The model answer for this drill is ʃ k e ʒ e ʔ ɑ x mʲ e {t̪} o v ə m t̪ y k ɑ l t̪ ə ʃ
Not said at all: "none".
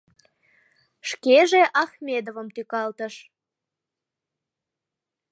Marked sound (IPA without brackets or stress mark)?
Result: d̪